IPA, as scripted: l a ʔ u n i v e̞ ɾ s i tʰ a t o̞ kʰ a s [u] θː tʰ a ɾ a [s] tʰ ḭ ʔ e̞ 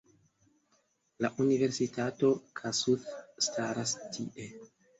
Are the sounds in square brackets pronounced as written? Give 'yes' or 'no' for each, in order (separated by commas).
yes, yes